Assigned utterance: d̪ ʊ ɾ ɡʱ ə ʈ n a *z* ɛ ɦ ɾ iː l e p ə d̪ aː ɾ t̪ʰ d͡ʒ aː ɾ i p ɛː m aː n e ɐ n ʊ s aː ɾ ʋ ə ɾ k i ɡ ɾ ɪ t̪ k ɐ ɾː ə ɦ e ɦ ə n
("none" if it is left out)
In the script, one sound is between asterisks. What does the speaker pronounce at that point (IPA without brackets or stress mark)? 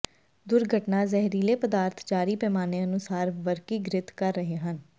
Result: z